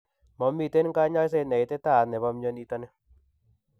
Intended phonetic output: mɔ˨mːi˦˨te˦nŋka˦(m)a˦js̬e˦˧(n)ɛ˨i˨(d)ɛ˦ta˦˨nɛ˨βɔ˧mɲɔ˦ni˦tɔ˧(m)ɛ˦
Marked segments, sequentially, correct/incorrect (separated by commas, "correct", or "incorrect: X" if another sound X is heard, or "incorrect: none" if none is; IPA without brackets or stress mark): incorrect: ɲ, correct, incorrect: t, incorrect: n